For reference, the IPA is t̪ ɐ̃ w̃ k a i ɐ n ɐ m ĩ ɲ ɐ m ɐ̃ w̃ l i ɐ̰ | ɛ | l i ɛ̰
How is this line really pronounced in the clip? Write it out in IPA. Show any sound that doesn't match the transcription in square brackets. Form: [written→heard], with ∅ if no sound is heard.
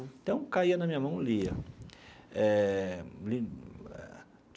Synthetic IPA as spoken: t̪ ɐ̃ w̃ k a i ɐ n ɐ m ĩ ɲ ɐ m ɐ̃ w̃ l i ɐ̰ | ɛ | l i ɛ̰

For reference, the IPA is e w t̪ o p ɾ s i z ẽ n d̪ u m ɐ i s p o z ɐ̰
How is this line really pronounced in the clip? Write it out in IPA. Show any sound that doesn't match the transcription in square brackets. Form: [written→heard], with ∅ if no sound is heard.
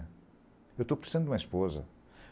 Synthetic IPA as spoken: e w t̪ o p ɾ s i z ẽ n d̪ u m ɐ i [s→ʃ] p o z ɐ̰

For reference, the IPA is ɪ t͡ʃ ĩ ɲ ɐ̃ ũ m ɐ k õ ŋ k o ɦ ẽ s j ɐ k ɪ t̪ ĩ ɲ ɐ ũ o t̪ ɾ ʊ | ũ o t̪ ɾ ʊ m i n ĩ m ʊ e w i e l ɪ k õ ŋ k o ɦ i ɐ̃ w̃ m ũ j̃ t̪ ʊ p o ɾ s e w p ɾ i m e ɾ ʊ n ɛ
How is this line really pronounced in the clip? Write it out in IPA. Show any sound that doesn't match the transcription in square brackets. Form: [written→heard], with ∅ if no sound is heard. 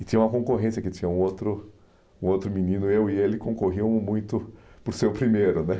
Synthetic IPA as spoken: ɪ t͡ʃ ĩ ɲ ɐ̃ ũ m ɐ k õ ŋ k o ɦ ẽ s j ɐ k ɪ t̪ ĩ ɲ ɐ ũ o t̪ ɾ ʊ | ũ o t̪ ɾ ʊ m i n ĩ [m→n] ʊ e w i e l ɪ k õ ŋ k o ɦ i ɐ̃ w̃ m ũ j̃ t̪ ʊ p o ɾ s e w p ɾ i m e ɾ ʊ n ɛ

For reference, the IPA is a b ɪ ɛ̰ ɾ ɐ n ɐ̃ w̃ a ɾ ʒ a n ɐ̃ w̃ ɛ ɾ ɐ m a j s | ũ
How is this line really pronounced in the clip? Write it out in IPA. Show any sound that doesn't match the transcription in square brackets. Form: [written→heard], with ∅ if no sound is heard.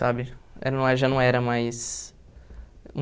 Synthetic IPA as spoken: a b ɪ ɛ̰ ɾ ɐ n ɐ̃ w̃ [a→ɛ] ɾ ʒ a n ɐ̃ w̃ ɛ ɾ ɐ m a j s | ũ

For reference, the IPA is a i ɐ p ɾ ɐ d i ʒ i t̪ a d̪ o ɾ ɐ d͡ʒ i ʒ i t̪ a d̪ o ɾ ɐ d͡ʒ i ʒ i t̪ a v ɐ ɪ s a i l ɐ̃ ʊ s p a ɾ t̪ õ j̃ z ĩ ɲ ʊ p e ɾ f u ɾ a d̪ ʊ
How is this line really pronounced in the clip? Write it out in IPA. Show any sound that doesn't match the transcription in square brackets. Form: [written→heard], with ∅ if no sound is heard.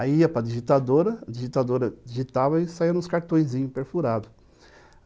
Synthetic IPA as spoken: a i ɐ p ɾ ɐ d i ʒ i t̪ a d̪ o ɾ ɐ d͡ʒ i ʒ i t̪ a d̪ o ɾ ɐ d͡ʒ i ʒ i t̪ a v ɐ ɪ s a i [l→ɾ] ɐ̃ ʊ s [p→k] a ɾ t̪ õ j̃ z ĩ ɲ ʊ p e ɾ f u ɾ a d̪ ʊ

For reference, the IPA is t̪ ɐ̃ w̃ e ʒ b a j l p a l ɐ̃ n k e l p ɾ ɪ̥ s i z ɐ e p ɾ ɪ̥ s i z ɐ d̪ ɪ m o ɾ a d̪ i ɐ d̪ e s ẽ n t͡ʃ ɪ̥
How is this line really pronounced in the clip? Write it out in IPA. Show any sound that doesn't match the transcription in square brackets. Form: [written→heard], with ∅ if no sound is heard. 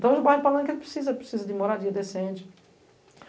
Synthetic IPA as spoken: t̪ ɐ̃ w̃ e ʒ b a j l p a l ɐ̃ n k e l p ɾ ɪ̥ s i z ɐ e p ɾ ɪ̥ s i z ɐ d̪ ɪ m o ɾ a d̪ i ɐ d̪ e s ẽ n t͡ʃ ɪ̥

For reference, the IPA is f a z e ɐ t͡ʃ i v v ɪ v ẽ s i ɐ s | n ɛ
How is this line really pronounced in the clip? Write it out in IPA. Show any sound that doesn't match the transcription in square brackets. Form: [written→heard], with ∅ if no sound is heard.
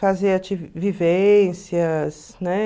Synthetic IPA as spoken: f a z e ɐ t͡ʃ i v v [ɪ→i] v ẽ s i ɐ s | n ɛ

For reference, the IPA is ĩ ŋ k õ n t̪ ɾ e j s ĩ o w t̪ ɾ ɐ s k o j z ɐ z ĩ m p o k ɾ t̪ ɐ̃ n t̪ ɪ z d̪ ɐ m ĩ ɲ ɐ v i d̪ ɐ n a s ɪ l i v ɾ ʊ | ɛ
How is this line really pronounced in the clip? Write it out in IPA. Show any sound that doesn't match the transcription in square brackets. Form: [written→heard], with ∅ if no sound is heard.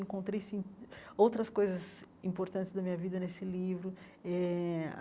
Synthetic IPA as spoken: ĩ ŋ k õ n t̪ ɾ e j s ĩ o w t̪ ɾ ɐ s k o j z ɐ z ĩ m p o [k→∅] ɾ t̪ ɐ̃ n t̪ ɪ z d̪ ɐ m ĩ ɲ ɐ v i d̪ ɐ n [a→e] s ɪ l i v ɾ ʊ | ɛ

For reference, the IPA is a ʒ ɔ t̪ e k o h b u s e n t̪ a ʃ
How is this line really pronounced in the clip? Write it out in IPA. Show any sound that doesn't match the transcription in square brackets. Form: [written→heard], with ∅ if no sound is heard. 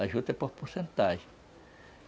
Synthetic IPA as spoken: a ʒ [ɔ→u] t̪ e [k→p] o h [b→p] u s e n t̪ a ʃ

